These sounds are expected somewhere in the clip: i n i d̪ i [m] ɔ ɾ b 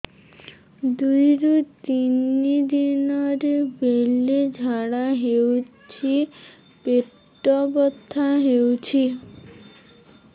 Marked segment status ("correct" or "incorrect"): incorrect